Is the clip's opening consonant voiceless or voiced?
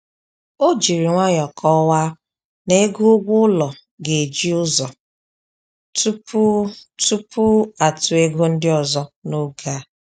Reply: voiced